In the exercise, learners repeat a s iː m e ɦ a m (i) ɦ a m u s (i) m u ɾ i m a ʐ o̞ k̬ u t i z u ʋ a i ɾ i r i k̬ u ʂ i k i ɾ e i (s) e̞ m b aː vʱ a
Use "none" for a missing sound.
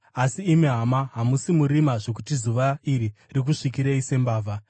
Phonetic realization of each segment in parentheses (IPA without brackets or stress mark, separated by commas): a, i, s